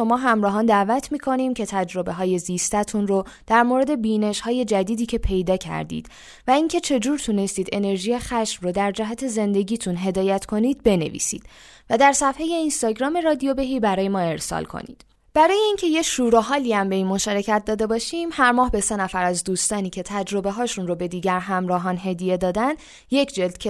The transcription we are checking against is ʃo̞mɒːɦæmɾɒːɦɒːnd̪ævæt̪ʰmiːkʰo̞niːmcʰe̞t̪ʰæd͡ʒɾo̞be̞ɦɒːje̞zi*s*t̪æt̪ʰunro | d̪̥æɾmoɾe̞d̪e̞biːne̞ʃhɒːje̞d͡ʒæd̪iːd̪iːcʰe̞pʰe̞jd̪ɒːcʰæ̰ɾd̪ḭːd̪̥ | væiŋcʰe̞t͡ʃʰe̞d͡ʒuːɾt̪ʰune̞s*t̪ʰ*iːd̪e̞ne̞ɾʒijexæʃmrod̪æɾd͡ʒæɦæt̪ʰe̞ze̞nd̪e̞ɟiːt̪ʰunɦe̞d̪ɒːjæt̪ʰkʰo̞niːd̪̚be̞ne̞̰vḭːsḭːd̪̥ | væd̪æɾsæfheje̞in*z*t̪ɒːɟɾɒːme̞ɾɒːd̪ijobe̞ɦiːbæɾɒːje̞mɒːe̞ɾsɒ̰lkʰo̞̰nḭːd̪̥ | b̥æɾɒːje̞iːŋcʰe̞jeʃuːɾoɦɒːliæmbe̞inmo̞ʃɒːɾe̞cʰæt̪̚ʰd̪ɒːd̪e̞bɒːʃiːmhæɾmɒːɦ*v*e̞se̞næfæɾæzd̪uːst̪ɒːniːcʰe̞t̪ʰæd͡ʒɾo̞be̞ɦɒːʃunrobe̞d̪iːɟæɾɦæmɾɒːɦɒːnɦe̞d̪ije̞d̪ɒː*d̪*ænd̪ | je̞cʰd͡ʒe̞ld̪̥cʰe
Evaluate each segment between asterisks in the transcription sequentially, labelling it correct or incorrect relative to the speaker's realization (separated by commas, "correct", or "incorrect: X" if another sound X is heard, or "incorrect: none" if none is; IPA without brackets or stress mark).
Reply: correct, incorrect: t̪, incorrect: s, incorrect: b, correct